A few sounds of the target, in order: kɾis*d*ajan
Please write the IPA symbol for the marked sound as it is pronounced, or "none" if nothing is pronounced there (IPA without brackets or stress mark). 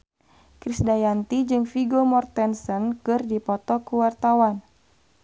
d